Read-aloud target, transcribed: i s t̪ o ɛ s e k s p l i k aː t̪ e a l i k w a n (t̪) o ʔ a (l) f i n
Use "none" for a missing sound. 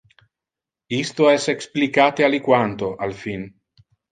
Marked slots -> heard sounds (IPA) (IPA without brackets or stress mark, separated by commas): t̪, l